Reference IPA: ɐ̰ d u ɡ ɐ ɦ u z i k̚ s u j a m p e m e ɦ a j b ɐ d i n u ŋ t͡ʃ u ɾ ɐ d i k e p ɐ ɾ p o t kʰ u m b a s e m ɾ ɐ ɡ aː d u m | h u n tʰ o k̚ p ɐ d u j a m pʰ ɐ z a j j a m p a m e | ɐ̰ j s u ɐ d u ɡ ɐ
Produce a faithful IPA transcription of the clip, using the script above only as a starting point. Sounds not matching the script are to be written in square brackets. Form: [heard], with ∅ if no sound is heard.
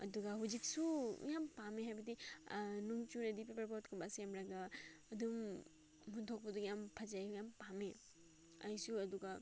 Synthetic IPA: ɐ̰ d u ɡ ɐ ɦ u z i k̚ s u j a m p [a] m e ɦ a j b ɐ d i n u ŋ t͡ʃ u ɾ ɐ d i [p] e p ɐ ɾ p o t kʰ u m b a s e m ɾ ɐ ɡ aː d u m | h u n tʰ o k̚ p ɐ d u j a m pʰ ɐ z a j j a m p a m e | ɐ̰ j s u ɐ d u ɡ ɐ